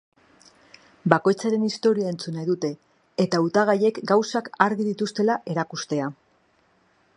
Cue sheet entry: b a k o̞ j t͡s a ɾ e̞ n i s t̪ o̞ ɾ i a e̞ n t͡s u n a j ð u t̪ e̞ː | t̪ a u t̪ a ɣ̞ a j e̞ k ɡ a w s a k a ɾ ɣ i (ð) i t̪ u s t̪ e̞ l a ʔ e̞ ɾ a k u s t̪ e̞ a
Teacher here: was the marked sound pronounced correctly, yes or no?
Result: yes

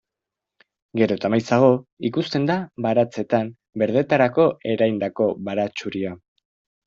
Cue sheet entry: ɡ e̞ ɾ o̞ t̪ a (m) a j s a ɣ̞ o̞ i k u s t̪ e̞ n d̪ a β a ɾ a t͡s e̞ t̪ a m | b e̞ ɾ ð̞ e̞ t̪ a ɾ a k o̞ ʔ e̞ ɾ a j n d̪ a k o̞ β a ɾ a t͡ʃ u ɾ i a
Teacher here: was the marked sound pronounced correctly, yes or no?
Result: yes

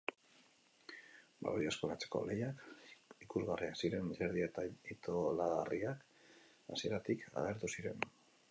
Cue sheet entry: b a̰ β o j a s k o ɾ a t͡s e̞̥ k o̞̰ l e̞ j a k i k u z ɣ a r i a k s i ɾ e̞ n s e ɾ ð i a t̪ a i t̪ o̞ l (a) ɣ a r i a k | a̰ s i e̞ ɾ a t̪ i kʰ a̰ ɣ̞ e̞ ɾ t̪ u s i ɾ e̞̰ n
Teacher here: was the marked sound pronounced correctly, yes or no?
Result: yes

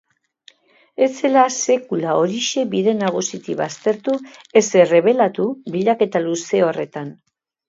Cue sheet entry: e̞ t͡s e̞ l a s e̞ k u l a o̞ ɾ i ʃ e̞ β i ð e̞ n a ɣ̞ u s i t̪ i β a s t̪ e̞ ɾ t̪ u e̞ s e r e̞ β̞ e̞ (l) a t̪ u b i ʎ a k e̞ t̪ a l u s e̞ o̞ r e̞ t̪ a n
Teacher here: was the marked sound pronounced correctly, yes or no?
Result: yes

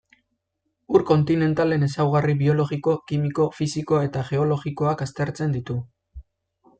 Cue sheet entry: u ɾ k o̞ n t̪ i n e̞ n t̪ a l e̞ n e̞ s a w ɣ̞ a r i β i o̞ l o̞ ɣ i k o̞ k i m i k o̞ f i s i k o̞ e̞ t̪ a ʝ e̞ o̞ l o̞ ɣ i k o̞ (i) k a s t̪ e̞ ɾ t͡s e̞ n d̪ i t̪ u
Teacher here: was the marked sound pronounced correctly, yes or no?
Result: no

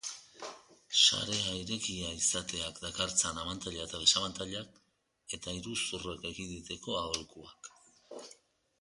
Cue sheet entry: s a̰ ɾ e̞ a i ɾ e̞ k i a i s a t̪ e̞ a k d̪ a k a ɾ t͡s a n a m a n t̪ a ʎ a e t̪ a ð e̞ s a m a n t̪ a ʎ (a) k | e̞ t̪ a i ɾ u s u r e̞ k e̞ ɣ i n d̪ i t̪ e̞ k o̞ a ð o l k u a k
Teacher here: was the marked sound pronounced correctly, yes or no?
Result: yes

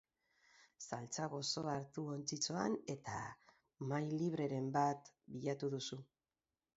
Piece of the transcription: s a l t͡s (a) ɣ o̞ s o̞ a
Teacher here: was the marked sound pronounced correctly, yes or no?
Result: yes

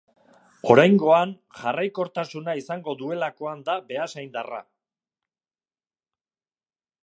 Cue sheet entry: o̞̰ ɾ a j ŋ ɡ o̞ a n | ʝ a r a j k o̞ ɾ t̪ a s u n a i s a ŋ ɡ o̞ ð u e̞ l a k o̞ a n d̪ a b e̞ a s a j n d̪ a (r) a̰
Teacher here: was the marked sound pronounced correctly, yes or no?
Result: yes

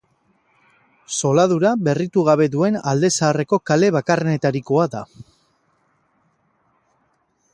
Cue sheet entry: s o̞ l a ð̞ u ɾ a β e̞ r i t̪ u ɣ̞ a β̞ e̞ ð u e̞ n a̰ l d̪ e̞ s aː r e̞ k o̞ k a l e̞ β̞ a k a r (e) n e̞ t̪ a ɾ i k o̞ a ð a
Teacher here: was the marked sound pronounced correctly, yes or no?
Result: yes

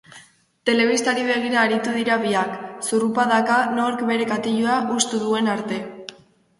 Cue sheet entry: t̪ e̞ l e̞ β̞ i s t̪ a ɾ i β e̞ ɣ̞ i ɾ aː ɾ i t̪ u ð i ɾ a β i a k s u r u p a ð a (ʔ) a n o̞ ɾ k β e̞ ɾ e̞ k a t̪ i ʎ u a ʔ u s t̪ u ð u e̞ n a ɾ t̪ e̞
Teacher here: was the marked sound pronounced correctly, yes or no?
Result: no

